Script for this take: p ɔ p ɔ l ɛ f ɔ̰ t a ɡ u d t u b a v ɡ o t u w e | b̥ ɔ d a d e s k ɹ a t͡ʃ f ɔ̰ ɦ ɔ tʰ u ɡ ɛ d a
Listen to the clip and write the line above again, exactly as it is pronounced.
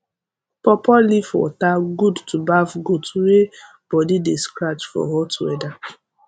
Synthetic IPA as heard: p ɔ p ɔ l i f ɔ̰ t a ɡ u d t u b a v ɡ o t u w e | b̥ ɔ d i d e s k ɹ a t͡ʃ f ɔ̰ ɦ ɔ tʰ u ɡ ɛ d a

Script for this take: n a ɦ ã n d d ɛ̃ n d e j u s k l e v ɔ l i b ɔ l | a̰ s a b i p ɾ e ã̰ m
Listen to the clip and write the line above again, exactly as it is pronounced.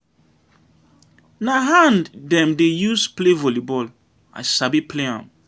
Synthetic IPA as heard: n a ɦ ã n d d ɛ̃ m d e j u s p l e v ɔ l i b ɔ l | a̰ s a b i p l e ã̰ m

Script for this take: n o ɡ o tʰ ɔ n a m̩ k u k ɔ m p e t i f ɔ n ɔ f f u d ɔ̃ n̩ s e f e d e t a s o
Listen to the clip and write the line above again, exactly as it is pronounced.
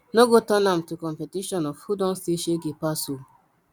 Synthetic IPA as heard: n o ɡ o t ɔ n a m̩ t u k ɔ m p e t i ʃ ɔ n ɔ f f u d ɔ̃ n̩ s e ʃ e ɡ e p a s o

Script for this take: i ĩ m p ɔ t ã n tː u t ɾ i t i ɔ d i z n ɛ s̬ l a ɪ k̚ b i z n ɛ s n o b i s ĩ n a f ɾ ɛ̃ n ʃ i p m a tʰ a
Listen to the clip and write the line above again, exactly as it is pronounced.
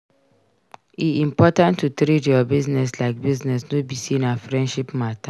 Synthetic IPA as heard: i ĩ m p ɔ t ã n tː u t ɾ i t j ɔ b i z n ɛ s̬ l a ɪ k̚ b i z n ɛ s n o b i s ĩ n a f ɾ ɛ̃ n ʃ i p m a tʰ a

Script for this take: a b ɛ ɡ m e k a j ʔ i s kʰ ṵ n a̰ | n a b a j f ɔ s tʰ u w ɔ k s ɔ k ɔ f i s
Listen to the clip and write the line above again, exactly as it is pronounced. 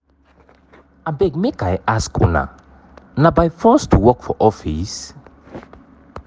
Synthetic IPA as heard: a b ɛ ɡ m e k a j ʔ a s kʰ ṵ n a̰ | n a b a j f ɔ s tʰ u w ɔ k f ɔ ʔ ɔ f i s

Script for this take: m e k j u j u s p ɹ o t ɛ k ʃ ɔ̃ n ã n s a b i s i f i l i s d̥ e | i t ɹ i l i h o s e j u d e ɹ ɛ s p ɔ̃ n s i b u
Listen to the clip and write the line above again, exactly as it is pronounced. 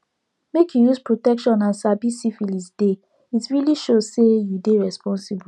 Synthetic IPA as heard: m e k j u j u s p ɹ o t ɛ k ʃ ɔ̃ n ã n s a b i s i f i l i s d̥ e | i t ɹ i l i ʃ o s e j u d e ɹ ɛ s p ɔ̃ n s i b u

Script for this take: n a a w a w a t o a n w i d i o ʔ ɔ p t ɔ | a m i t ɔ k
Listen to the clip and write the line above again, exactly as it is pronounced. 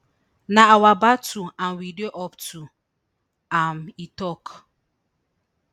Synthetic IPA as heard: n a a w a b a t u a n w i d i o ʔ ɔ p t u | a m i t ɔ k

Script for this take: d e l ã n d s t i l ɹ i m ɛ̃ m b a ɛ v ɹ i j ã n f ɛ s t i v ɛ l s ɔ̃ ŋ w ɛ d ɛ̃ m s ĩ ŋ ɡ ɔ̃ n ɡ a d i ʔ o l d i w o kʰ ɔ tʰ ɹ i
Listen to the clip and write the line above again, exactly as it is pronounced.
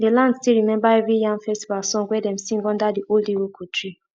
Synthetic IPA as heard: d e l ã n d s t i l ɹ i m ɛ̃ m b a ɛ v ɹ i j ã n f ɛ s t i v a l s ɔ̃ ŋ w ɛ d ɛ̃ m s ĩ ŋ ɡ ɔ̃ n d a d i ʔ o l d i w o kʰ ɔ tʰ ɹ i

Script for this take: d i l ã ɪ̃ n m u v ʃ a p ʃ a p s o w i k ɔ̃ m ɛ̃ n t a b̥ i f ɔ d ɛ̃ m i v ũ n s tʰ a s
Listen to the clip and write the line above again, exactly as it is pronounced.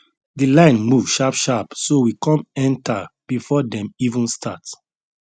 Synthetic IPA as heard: d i l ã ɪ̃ n m u v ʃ a p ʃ a p s o w i k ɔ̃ m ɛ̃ n t a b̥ i f ɔ d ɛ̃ m i v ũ n s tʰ a t

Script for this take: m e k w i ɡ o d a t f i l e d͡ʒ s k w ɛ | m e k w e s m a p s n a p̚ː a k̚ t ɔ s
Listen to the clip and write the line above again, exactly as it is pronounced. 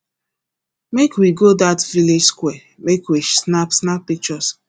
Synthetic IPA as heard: m e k w i ɡ o d a t v i l e d͡ʒ s k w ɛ | m e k w i s n a p s n a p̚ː i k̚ t͡ʃ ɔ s

